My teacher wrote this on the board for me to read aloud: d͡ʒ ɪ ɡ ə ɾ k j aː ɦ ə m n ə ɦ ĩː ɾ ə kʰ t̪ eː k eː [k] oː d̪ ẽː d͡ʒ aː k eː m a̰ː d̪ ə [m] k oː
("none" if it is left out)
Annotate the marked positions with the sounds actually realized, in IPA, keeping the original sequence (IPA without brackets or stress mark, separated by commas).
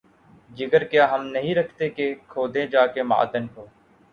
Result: kʰ, n